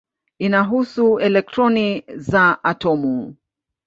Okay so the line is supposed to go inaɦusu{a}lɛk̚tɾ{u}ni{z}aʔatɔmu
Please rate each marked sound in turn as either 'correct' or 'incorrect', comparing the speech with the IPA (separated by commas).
incorrect, incorrect, correct